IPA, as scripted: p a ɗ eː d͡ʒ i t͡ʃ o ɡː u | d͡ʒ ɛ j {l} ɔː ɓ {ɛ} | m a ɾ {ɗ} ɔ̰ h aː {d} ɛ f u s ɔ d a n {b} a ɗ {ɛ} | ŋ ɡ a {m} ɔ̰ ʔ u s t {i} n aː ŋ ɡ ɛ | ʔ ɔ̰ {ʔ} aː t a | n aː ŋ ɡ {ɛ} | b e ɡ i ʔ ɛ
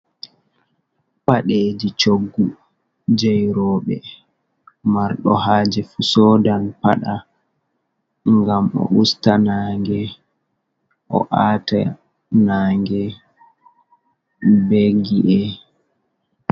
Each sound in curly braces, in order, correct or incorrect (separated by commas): incorrect, correct, correct, incorrect, incorrect, incorrect, correct, incorrect, correct, correct